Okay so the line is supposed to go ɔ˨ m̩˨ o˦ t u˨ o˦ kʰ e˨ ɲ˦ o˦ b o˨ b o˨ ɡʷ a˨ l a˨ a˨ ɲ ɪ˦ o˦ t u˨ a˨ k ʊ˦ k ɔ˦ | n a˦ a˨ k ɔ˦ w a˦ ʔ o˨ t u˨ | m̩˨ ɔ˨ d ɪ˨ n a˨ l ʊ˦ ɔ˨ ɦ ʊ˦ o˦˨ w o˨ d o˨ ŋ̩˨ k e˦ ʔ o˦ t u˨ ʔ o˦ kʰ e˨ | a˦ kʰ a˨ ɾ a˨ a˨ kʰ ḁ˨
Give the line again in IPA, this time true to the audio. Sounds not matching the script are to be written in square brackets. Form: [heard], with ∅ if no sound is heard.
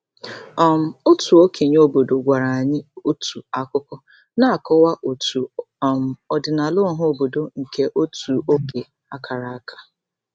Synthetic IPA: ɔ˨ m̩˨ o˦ t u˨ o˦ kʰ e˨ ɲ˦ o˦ b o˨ [d] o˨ ɡʷ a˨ [ɾ] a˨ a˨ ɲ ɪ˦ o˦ t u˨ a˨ k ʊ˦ k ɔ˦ | n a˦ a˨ k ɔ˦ w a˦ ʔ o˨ t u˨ | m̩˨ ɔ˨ d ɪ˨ n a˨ l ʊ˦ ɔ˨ ɦ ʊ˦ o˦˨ [b] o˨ d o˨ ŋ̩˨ k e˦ ʔ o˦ t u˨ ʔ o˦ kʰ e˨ | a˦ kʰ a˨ ɾ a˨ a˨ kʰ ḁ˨